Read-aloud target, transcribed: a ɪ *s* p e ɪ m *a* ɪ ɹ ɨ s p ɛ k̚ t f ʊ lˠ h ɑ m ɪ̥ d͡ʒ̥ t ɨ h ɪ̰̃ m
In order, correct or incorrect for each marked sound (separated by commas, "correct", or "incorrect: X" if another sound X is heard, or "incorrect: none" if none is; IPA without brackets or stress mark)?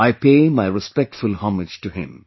incorrect: none, correct